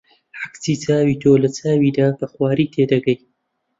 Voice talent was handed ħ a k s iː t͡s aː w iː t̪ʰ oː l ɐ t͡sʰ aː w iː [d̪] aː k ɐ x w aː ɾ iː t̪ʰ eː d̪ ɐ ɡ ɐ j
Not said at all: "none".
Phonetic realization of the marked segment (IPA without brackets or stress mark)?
d̪